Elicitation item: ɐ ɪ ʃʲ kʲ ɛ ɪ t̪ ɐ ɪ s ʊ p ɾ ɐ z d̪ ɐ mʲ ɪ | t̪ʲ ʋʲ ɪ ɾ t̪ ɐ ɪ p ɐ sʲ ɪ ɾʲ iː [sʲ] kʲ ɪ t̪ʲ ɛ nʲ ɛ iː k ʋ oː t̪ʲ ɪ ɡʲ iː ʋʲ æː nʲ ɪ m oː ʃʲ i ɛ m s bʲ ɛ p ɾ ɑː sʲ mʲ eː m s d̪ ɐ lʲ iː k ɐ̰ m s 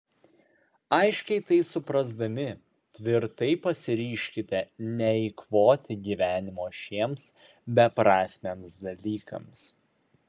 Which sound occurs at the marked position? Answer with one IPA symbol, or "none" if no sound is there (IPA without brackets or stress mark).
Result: ʃʲ